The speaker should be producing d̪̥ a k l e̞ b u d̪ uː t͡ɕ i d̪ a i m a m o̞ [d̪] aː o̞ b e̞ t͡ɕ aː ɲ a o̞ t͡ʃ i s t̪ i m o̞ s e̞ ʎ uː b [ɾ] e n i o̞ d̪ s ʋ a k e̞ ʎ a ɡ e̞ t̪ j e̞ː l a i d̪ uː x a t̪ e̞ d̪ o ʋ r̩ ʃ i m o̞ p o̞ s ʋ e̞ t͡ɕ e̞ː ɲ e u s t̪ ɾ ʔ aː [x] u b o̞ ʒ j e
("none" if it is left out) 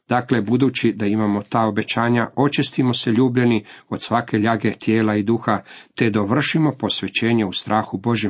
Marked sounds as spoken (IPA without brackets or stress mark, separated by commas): t̪, ʎ, x